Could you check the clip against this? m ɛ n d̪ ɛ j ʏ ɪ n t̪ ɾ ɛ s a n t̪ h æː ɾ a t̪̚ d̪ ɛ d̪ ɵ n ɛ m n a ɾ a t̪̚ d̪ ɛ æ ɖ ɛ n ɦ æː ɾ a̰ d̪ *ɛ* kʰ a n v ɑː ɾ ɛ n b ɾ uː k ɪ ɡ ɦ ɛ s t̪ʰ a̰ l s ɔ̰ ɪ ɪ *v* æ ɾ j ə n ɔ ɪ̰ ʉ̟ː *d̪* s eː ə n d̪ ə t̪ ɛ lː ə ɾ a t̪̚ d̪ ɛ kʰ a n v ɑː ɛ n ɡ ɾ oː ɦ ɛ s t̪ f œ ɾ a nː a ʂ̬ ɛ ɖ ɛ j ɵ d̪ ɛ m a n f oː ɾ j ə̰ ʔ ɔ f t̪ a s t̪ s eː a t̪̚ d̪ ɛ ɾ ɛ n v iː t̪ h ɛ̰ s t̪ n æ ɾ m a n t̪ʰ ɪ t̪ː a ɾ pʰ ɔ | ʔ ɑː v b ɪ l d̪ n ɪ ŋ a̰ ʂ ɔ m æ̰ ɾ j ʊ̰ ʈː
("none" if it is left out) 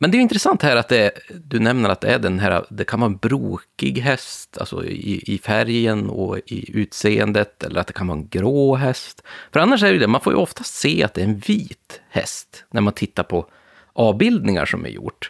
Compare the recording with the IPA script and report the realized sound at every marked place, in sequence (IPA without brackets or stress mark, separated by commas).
ɛ, f, t̪